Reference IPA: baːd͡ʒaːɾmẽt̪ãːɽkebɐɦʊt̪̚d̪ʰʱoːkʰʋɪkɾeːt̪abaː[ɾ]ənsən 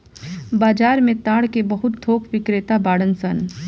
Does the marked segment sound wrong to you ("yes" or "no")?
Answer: yes